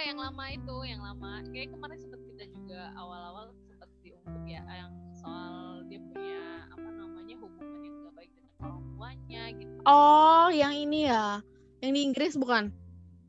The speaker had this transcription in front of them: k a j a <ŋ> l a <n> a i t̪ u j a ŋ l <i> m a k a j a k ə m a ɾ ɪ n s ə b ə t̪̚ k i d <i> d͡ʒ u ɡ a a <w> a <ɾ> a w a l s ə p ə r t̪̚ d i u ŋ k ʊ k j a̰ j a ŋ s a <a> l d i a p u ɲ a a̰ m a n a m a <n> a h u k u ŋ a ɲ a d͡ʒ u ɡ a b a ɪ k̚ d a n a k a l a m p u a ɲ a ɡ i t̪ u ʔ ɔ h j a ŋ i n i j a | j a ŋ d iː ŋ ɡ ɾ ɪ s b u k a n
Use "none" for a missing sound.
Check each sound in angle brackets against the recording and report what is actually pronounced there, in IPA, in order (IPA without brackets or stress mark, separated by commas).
ŋ, m, a, a, w, l, a, ɲ